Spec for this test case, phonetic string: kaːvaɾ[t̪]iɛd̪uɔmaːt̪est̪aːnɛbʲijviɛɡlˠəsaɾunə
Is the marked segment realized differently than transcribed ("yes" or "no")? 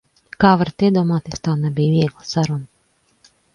no